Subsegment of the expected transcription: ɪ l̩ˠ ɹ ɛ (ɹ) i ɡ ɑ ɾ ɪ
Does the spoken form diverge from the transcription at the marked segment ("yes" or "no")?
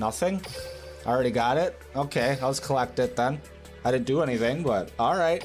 yes